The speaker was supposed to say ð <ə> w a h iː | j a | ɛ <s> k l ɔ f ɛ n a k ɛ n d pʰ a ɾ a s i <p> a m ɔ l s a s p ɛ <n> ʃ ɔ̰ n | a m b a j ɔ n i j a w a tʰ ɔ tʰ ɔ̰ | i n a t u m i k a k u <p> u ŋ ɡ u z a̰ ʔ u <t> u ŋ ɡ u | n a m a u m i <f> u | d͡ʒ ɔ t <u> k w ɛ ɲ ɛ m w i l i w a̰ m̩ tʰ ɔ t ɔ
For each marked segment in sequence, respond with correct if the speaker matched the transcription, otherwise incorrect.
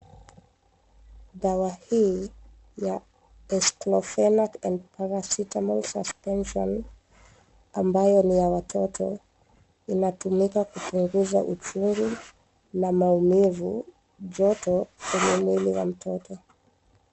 incorrect: a, correct, incorrect: t, correct, correct, incorrect: t͡ʃ, incorrect: v, incorrect: ɔ

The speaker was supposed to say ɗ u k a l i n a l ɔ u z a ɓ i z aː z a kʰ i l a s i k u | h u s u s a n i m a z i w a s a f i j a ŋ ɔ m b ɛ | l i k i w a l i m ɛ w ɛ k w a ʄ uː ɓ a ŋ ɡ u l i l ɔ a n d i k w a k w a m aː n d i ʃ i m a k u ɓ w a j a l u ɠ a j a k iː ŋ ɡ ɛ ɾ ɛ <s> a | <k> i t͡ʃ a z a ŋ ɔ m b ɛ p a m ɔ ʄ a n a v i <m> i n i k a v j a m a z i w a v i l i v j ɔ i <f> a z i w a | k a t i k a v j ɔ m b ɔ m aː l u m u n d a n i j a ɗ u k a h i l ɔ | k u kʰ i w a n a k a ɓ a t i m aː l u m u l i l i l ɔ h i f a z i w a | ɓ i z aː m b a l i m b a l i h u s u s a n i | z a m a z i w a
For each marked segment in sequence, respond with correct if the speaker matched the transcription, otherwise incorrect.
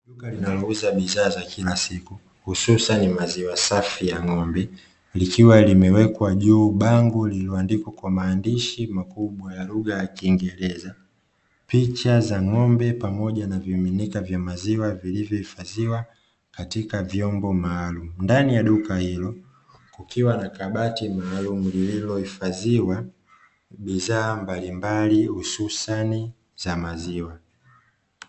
incorrect: z, incorrect: p, correct, correct

